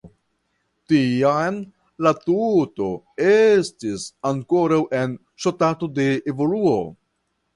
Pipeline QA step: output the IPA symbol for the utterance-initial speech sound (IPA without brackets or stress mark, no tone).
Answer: t